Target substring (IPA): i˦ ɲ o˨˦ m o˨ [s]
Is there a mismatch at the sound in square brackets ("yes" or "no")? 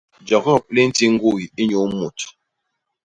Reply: yes